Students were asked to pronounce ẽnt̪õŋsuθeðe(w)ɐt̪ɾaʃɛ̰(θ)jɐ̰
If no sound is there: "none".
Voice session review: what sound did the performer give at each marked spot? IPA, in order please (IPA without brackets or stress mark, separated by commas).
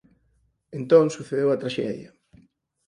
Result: w, ð